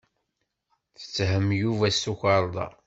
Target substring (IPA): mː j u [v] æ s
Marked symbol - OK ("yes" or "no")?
yes